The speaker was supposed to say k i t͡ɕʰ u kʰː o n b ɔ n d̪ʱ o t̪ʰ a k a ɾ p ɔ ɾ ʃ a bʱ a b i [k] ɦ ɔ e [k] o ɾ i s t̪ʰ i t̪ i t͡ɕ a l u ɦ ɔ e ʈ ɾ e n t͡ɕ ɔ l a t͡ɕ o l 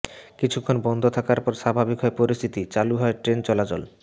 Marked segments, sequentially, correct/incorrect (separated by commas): correct, incorrect